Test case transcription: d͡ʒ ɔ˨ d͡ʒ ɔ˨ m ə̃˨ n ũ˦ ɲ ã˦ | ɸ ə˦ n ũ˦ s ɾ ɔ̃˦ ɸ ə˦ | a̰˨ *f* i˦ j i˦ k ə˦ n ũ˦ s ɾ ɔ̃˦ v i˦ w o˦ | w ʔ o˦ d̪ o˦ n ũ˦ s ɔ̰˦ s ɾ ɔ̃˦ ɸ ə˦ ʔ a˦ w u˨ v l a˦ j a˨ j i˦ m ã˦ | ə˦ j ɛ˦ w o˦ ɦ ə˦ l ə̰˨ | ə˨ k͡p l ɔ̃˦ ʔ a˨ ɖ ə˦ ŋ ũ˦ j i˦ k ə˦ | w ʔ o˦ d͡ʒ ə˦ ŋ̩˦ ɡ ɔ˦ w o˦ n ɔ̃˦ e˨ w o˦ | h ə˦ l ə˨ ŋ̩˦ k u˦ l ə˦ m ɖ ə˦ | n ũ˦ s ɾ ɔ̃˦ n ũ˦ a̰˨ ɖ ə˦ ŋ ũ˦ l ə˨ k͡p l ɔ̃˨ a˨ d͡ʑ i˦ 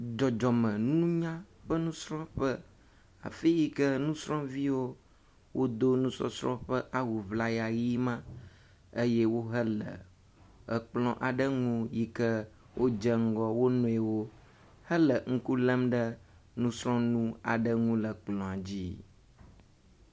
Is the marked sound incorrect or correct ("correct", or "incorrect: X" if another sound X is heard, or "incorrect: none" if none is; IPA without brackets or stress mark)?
correct